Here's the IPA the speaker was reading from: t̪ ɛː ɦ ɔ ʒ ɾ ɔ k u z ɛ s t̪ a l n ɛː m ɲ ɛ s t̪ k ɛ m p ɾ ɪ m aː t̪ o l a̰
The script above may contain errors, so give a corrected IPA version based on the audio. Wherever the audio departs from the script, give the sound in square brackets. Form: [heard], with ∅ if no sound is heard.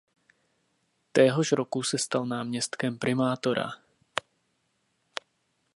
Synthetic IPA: t̪ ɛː ɦ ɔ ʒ ɾ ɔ k u [s] ɛ s t̪ a l n [aː] m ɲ ɛ s t̪ k ɛ m p ɾ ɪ m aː t̪ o [ɾ] a̰